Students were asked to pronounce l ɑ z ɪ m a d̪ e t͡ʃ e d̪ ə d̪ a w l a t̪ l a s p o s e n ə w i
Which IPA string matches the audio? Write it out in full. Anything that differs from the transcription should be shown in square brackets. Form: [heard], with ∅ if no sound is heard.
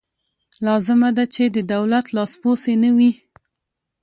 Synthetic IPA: l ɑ z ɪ m a d̪ [a] t͡ʃ e d̪ ə d̪ a w l a t̪ l [ɑ] s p o s e n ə w i